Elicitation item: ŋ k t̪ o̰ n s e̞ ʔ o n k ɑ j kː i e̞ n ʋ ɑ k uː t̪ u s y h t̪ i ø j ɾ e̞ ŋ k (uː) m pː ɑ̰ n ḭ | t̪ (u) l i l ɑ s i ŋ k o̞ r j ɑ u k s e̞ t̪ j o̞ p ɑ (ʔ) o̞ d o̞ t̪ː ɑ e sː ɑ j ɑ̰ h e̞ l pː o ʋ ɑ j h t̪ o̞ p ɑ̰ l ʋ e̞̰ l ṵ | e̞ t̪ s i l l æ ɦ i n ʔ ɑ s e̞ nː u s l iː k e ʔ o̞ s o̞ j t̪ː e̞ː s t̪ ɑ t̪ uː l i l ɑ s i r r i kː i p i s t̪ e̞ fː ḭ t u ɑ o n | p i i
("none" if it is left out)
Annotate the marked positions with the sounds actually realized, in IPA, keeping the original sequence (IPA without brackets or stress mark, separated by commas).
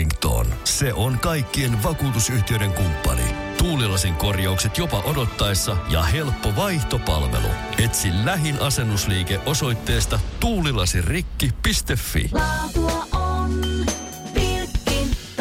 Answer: u, uː, ʔ